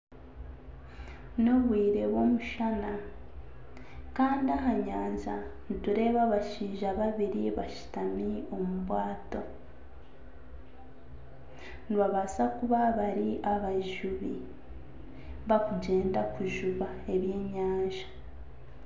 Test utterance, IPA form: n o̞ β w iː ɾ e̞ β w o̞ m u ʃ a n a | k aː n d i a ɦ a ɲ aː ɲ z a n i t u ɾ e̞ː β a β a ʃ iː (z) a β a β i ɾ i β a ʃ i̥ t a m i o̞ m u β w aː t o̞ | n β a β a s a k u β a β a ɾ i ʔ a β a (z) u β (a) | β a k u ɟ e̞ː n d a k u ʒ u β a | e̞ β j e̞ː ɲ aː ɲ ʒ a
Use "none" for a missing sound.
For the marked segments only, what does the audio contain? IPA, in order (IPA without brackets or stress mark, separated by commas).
ʒ, ʒ, i